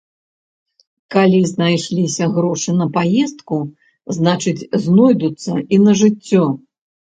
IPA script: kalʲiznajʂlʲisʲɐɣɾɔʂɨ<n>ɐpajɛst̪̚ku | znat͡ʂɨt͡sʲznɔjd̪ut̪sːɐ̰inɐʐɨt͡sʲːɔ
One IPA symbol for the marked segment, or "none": n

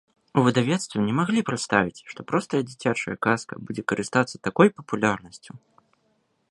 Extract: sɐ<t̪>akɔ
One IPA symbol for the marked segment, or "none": t̪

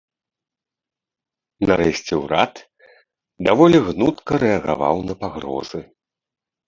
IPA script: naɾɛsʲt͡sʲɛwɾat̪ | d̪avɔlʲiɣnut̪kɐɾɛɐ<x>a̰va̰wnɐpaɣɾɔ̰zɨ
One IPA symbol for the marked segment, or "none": ɣ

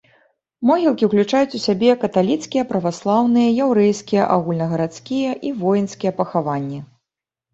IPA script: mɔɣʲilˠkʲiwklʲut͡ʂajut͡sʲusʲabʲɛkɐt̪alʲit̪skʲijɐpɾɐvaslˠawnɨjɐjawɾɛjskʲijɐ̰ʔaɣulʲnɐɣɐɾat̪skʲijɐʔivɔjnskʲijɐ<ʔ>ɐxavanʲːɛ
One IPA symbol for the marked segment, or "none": p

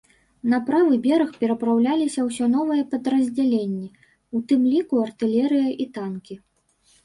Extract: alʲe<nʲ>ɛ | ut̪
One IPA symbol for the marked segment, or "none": nʲː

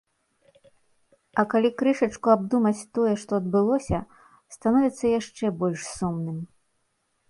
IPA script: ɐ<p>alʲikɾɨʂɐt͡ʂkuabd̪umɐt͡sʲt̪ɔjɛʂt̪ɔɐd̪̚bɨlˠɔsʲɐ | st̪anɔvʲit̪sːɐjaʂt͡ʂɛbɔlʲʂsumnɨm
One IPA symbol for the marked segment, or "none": k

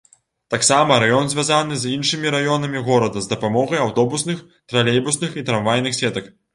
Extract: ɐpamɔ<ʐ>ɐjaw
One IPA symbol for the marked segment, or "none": ɣ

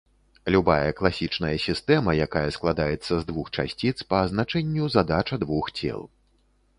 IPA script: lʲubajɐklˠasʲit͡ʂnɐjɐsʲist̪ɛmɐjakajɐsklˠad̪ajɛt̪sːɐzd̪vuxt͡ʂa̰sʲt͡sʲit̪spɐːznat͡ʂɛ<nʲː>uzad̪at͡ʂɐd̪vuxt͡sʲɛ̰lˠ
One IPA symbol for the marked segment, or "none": nʲː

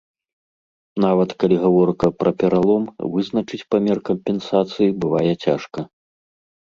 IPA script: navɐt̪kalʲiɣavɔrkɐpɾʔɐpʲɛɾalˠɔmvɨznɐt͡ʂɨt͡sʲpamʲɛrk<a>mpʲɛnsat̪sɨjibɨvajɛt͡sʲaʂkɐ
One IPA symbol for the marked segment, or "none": ɐ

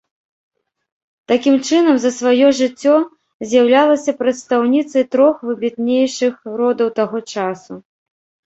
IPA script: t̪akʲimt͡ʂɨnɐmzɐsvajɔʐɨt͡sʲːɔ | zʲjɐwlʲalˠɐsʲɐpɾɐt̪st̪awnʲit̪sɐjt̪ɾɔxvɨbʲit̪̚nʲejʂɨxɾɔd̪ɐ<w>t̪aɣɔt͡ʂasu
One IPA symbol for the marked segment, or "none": w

